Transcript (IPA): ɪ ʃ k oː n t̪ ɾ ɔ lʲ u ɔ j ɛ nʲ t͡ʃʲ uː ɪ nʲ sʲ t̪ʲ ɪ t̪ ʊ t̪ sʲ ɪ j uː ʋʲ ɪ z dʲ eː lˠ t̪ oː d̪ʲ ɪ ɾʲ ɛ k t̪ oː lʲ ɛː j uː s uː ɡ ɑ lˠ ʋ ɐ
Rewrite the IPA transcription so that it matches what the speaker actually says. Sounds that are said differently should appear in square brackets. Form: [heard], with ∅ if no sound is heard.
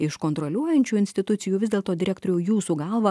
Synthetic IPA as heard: ɪ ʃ k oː n t̪ ɾ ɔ lʲ u ɔ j ɛ nʲ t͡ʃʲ uː ɪ nʲ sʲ t̪ʲ ɪ t̪ ʊ t̪ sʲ ɪ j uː ʋʲ ɪ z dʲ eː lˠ t̪ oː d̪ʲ ɪ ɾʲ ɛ k t̪ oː [ɾʲ] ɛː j uː s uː ɡ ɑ lˠ ʋ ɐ